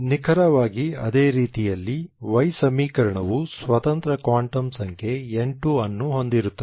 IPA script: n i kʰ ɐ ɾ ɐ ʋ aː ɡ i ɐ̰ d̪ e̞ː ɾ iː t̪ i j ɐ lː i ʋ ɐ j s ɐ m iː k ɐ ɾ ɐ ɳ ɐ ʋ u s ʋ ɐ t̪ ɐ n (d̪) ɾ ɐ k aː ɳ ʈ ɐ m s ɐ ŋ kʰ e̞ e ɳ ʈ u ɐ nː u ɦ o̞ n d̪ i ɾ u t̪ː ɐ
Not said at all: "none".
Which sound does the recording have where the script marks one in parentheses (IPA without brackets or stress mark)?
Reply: t̪